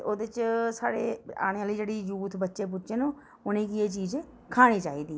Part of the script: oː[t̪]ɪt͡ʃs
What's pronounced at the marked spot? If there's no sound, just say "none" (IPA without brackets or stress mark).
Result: d̪